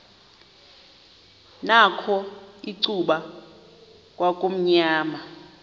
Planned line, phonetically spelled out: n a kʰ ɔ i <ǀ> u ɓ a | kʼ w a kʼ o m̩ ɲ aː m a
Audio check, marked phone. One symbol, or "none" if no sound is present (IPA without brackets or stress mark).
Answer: ǀ